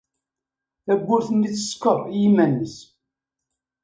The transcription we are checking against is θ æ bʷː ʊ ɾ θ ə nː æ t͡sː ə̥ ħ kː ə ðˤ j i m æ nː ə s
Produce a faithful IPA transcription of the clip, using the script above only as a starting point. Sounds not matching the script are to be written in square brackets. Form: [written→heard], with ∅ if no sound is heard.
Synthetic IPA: θ æ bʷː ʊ ɾ θ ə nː [æ→i] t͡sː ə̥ [ħ→s] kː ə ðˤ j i m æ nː ə s

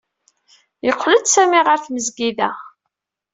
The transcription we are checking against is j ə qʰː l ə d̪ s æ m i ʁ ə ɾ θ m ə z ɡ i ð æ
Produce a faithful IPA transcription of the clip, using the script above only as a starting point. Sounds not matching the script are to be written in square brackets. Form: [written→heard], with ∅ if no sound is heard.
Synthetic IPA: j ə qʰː l ə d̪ s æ m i ʁ ə ɾ θ m ə z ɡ i ð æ

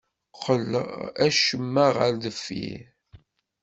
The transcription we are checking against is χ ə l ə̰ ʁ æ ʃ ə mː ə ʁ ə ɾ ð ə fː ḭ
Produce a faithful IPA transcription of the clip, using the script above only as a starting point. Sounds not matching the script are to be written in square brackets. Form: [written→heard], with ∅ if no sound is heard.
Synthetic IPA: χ ə l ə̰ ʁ æ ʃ ə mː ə ʁ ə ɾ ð ə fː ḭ

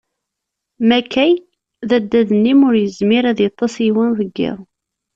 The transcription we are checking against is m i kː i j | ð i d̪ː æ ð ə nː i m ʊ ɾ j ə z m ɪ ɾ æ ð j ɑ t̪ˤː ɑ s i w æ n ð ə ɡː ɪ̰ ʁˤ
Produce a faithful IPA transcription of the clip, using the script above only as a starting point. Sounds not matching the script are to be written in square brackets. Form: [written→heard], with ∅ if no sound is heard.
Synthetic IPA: m [i→æ] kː [i→æ] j | ð [i→æ] d̪ː æ ð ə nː i m ʊ ɾ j ə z m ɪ ɾ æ ð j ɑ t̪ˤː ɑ s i w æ n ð ə ɡː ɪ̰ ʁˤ

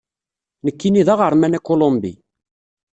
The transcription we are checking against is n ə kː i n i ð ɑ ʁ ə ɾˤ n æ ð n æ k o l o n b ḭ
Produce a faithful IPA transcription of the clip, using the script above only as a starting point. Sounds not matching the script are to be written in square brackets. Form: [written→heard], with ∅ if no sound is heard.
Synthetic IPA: n ə kː i n i ð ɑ ʁ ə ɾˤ [n→m] æ [ð→∅] n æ k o l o [n→m] b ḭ

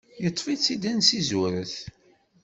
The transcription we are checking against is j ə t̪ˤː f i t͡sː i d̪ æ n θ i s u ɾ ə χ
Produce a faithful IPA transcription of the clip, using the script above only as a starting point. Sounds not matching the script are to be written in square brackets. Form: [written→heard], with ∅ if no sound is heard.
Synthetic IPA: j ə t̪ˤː f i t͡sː i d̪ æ n [θ→s] i [s→z] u ɾ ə [χ→θ]

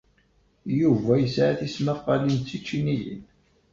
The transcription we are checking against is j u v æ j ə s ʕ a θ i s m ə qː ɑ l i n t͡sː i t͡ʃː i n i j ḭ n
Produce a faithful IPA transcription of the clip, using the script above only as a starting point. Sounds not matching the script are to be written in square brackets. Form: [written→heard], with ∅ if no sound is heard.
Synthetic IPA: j u v æ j ə s ʕ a θ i s m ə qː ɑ l i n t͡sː i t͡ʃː i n i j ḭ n

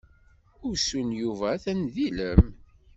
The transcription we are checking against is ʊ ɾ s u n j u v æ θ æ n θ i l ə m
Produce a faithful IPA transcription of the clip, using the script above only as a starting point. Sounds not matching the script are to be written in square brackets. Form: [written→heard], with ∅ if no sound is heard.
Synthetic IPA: ʊ ɾ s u n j u v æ θ æ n [θ→ð] i l ə m

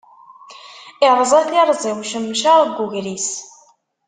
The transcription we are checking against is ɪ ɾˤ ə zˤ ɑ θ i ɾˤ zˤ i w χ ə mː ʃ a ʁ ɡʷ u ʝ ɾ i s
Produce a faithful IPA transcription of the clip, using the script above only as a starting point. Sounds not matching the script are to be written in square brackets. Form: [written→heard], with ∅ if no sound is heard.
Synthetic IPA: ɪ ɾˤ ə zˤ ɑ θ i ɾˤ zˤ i w [χ→ʃ] ə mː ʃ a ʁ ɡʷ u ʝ ɾ i s

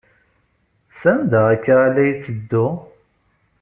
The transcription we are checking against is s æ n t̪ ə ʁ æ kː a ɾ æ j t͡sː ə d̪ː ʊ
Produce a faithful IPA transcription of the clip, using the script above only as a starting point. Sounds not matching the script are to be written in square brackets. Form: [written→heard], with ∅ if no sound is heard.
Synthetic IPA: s æ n [t̪→d̪] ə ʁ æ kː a [ɾ→l] æ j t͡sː ə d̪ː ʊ

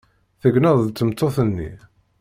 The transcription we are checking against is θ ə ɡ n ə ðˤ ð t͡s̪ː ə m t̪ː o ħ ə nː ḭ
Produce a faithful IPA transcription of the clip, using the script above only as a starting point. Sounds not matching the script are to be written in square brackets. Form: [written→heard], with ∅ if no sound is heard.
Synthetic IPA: θ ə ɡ n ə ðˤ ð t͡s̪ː ə m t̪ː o [ħ→θ] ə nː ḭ

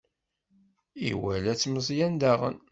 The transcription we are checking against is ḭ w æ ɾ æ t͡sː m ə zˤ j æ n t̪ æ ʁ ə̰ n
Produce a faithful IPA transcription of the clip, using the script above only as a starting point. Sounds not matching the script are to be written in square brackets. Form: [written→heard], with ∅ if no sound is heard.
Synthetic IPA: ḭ w æ [ɾ→l] æ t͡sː m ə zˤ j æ n [t̪→d̪] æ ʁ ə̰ n

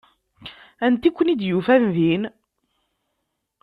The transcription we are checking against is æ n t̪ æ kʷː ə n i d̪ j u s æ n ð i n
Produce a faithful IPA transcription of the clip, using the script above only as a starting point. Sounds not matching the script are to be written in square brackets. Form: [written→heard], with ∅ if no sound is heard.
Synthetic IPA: æ n t̪ [æ→i] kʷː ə n i d̪ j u [s→f] æ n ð i n

